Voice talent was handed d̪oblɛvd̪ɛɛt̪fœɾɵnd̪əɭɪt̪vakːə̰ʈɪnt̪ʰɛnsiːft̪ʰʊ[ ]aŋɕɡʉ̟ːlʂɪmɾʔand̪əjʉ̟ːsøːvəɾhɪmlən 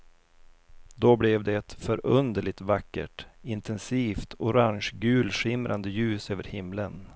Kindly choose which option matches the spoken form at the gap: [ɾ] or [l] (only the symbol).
ɾ